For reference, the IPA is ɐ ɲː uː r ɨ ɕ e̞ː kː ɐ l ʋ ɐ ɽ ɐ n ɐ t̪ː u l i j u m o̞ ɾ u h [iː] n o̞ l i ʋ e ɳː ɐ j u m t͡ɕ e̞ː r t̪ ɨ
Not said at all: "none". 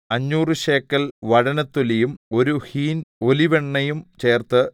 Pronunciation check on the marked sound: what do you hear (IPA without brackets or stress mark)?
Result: iː